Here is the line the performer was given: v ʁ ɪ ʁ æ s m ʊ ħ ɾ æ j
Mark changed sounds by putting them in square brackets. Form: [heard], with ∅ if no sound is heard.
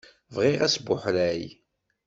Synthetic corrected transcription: v ʁ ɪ ʁ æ s [b] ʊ ħ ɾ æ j